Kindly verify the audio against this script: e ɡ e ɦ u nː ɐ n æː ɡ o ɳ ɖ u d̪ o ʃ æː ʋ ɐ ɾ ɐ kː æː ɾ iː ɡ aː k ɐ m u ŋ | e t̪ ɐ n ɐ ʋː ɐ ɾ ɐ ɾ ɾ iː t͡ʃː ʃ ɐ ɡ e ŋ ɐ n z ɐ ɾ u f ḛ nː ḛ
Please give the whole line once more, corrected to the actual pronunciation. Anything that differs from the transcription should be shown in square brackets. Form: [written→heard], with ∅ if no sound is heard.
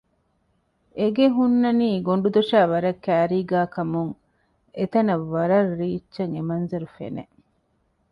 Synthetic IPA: e ɡ e ɦ u nː ɐ n [æː→iː] ɡ o ɳ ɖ u d̪ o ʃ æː ʋ ɐ ɾ ɐ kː æː ɾ iː ɡ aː k ɐ m u ŋ | e t̪ ɐ n ɐ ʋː ɐ ɾ ɐ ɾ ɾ iː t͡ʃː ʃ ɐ [ɡ→ŋ] e [ŋ→m] ɐ n z ɐ ɾ u f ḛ [nː→n] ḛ